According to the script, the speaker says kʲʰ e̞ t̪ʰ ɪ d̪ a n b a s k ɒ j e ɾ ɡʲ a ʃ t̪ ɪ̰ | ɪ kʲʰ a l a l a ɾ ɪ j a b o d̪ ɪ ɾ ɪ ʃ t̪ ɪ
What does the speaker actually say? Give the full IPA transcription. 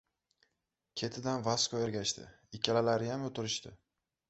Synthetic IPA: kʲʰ e̞ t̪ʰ ɪ d̪ a n v a s k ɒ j e ɾ ɡʲ a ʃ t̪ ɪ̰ | ɪ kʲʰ a l a l a ɾ ɪ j a m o t̪ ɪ ɾ ɪ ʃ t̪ ɪ